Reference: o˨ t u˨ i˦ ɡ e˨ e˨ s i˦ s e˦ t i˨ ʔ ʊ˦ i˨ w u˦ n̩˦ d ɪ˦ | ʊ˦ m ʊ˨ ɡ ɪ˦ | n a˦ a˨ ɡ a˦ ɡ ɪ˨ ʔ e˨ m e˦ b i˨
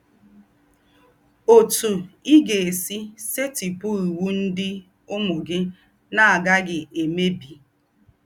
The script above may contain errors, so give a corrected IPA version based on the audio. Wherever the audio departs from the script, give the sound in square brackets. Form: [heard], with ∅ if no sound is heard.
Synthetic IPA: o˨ t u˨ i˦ ɡ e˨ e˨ s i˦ s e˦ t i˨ [p] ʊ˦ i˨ w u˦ n̩˦ d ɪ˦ | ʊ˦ m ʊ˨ ɡ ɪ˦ | n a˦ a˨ ɡ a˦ ɡ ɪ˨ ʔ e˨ m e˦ b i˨